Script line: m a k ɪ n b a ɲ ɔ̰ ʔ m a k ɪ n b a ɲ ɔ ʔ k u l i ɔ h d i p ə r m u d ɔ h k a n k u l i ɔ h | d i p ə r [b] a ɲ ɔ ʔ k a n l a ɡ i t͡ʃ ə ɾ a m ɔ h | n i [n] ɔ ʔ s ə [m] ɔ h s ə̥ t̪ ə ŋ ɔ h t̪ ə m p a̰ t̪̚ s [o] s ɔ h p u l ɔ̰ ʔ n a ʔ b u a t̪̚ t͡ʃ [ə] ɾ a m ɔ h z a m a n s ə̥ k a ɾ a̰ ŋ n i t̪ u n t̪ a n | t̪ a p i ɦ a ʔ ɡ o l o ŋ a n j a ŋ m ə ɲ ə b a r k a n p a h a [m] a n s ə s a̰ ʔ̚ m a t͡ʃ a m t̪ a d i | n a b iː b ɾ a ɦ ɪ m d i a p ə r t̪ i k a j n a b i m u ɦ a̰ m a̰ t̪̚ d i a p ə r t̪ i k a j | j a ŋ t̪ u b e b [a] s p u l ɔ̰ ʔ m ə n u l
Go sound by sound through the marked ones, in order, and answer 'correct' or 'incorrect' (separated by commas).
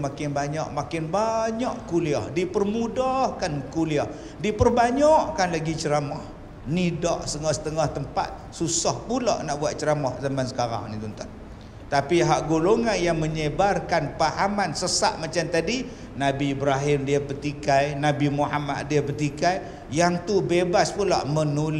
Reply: correct, incorrect, incorrect, incorrect, correct, correct, correct